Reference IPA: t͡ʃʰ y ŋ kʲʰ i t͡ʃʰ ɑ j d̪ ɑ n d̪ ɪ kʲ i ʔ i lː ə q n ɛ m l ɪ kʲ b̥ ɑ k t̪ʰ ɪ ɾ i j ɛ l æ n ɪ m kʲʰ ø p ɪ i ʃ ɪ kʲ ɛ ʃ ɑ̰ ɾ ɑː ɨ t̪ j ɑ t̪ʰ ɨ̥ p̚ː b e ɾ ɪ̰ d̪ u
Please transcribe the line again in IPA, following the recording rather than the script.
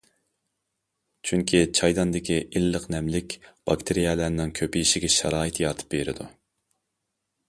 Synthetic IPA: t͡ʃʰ y ŋ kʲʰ i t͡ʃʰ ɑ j d̪ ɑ n d̪ ɪ kʲ i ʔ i lː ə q n ɛ m l ɪ kʲ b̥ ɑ k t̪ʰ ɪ ɾ i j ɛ l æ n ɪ ŋ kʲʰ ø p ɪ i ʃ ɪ ɡʲ ɛ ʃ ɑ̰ ɾ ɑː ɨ t̪ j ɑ t̪ʰ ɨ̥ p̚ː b e ɾ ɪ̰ d̪ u